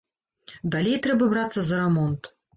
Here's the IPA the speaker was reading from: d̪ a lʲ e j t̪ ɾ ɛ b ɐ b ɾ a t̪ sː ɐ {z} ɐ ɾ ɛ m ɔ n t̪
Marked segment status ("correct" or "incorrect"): correct